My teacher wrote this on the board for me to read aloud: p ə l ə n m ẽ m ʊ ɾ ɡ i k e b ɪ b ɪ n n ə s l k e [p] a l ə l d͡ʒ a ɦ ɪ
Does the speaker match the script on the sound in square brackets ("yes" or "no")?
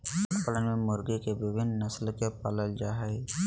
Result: yes